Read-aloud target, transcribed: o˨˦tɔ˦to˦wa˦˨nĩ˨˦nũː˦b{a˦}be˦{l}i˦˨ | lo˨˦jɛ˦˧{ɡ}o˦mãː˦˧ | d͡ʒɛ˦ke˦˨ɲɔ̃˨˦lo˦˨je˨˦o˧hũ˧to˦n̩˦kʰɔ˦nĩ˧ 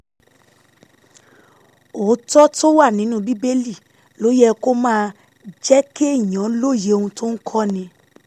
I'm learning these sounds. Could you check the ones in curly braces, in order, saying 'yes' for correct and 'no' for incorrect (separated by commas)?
no, yes, no